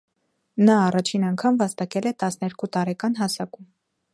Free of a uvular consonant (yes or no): yes